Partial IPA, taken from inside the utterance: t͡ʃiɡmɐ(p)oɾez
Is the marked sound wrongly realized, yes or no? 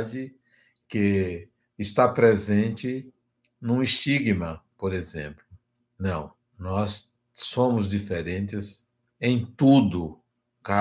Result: no